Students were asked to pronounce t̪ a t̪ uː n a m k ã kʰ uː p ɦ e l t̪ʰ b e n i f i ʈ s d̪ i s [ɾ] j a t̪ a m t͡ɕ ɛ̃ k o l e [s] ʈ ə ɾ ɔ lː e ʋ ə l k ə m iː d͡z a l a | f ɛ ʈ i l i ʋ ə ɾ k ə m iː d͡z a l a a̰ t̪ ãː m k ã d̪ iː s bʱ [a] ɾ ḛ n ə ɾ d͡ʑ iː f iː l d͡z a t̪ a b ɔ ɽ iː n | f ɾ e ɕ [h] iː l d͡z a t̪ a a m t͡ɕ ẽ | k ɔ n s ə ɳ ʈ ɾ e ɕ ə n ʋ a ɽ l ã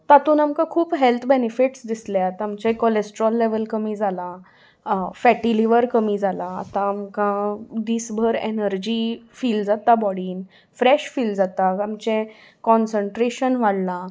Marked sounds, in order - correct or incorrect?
incorrect: l, correct, incorrect: ə, incorrect: f

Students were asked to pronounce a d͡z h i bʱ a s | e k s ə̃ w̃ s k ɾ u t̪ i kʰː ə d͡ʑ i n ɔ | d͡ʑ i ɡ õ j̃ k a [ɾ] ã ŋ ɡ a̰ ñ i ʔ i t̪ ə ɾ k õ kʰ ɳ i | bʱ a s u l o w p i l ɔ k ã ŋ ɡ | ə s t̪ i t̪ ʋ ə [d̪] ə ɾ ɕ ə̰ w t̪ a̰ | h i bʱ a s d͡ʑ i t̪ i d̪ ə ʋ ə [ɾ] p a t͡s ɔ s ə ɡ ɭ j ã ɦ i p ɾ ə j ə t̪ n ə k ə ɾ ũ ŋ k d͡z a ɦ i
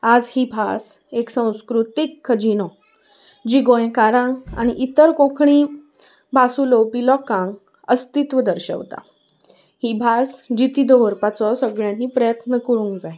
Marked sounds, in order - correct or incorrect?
correct, correct, correct

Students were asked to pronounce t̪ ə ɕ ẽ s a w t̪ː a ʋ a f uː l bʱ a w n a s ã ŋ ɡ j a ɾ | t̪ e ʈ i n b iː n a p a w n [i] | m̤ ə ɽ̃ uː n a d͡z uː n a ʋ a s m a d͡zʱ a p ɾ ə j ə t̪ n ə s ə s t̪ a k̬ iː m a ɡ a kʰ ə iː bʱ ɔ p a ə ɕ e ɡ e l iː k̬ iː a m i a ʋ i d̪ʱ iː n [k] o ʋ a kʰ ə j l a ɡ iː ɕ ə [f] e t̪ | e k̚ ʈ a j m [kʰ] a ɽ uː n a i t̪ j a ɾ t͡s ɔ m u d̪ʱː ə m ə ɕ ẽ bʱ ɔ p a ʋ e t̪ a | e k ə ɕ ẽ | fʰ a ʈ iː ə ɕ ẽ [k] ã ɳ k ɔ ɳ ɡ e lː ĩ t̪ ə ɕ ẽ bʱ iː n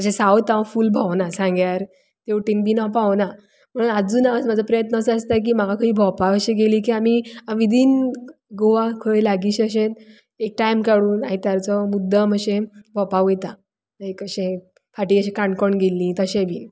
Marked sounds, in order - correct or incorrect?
incorrect: a, incorrect: ɡ, incorrect: ɕ, incorrect: k, correct

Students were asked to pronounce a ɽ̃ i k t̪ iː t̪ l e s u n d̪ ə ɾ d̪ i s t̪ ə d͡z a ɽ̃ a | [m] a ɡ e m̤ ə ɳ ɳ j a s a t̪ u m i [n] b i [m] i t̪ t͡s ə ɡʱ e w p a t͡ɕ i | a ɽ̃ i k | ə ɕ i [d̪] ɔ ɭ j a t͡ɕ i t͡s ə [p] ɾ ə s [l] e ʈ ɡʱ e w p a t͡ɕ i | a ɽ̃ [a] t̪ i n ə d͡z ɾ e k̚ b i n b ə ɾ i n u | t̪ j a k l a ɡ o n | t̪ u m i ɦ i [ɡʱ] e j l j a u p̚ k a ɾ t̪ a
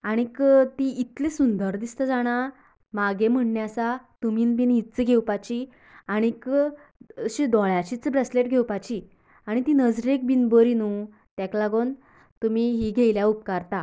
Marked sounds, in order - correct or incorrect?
correct, correct, incorrect: n, correct, incorrect: b, correct, incorrect: i, correct

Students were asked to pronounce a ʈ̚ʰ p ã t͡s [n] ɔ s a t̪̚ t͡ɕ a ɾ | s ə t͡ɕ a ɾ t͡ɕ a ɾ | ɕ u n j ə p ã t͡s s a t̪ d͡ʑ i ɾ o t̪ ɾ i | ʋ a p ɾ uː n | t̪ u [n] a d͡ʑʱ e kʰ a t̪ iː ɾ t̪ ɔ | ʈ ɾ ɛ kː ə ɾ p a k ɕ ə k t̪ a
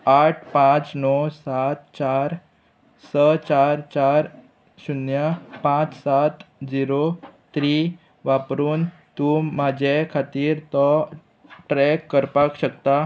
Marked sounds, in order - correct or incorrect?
correct, incorrect: m

